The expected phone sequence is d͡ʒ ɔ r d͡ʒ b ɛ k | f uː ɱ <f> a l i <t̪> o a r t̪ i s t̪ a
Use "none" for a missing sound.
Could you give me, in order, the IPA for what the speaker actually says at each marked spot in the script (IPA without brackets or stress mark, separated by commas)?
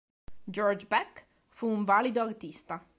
v, d̪